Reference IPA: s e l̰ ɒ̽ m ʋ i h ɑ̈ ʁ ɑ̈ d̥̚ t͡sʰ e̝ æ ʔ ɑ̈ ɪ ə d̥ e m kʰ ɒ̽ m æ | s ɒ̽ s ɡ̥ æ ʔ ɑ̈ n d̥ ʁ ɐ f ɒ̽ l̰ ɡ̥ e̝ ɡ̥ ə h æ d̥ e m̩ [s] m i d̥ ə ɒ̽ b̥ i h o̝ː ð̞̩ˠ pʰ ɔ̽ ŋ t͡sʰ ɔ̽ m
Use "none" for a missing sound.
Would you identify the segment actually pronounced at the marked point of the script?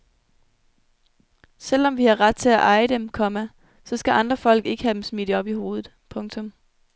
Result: s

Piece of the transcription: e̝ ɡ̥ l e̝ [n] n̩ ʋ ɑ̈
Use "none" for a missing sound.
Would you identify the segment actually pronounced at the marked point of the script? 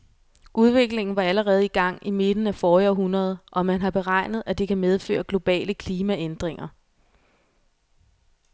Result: ŋ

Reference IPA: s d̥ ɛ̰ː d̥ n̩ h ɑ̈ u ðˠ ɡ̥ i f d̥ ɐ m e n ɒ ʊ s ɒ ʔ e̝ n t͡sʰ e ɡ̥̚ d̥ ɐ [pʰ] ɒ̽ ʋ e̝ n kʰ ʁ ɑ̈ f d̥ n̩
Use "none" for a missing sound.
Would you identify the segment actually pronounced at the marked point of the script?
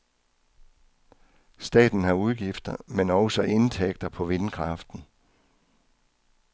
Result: pʰ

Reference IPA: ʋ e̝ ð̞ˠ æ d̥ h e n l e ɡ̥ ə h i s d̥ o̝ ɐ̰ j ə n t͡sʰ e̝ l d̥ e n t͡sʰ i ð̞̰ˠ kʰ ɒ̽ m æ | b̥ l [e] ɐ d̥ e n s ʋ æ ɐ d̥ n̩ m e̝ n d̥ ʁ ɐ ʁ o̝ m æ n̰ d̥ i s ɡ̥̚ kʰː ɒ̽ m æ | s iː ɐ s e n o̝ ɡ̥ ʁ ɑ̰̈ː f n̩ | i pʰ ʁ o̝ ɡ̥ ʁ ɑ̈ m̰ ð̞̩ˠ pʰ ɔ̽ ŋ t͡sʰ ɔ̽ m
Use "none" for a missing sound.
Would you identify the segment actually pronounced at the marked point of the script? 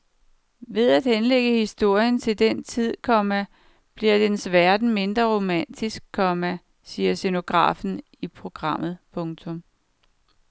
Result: i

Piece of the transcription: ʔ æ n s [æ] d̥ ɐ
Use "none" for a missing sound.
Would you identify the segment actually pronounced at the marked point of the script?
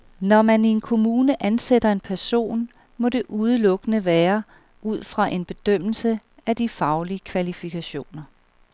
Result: e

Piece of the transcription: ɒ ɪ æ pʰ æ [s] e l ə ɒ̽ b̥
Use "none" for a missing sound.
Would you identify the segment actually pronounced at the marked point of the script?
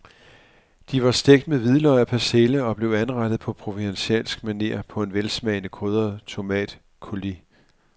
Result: s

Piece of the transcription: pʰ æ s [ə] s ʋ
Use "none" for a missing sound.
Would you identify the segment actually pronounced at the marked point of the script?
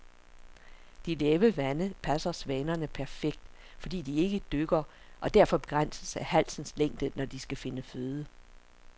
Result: ɐ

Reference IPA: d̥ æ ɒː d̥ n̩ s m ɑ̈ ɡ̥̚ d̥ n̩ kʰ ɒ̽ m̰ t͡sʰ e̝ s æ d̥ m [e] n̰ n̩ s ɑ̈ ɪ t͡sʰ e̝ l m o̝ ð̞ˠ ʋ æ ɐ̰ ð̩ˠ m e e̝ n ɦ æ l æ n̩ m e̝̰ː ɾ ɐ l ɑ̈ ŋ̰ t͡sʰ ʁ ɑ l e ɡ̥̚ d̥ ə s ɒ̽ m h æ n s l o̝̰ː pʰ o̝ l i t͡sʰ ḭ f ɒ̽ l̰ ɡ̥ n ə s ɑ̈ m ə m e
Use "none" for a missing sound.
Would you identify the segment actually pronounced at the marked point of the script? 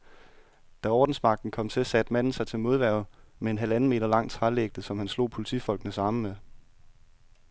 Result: æ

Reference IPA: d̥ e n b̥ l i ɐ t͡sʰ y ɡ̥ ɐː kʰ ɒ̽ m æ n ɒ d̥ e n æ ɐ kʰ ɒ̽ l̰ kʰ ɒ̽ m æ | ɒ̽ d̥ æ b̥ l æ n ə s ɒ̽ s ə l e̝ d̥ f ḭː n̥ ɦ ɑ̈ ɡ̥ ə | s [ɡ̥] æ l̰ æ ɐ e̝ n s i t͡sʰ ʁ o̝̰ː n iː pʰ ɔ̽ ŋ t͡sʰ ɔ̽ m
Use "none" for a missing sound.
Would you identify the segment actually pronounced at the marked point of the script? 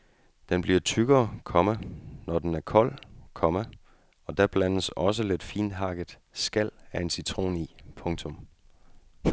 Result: ɡ̥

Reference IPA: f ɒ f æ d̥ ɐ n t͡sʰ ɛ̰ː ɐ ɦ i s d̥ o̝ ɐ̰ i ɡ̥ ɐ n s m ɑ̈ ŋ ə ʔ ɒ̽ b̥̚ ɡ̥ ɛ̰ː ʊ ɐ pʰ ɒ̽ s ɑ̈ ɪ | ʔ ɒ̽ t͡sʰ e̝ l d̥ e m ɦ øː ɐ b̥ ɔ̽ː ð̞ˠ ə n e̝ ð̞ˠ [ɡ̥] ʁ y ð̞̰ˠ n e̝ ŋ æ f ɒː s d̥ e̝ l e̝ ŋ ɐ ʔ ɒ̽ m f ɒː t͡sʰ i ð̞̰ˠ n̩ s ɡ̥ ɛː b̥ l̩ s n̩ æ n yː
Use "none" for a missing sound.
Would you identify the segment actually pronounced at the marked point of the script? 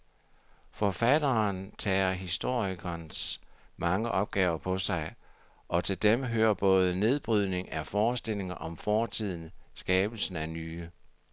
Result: b̥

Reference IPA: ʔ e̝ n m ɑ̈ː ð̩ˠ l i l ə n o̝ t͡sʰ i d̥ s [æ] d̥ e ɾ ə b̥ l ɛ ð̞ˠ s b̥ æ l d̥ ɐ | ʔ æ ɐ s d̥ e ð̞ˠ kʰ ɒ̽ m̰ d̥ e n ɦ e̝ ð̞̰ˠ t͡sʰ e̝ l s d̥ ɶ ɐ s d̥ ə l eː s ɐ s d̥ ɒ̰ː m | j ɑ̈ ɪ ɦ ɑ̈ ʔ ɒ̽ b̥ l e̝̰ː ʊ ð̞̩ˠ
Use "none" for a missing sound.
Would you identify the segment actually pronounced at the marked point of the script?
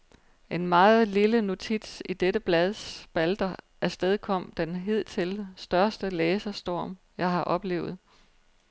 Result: i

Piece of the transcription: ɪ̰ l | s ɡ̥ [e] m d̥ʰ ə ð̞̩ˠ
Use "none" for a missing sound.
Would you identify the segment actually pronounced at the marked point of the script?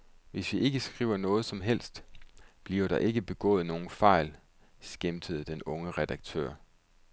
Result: e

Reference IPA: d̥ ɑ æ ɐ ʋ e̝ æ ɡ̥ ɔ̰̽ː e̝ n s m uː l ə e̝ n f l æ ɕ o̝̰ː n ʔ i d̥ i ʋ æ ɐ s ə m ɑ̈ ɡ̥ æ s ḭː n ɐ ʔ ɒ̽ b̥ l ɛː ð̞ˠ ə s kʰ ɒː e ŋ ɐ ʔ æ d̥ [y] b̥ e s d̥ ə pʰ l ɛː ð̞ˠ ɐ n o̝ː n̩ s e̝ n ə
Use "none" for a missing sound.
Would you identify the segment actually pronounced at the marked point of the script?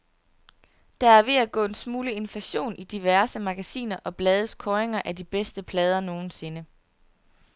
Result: i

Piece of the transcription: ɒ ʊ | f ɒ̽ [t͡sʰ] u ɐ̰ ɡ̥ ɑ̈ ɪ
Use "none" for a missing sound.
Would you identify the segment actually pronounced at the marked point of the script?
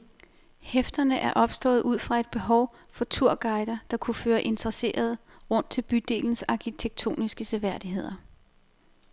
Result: t͡sʰ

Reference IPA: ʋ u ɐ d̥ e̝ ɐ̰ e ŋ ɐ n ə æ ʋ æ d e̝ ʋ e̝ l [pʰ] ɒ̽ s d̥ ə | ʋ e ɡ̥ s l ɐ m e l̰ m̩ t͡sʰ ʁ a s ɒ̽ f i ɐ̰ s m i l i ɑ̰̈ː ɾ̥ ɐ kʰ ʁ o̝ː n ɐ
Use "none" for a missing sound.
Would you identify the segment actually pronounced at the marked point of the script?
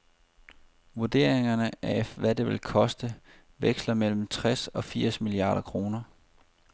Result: kʰ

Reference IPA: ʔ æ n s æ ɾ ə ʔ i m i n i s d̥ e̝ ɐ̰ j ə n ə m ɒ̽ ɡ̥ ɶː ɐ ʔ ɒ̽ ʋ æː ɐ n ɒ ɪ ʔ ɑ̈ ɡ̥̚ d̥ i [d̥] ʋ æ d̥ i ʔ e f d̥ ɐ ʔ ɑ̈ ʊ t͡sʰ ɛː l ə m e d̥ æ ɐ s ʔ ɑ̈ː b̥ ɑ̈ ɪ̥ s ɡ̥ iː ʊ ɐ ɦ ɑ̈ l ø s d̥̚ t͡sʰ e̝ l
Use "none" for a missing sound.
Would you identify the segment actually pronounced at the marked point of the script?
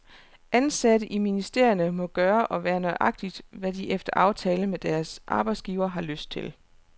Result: d̥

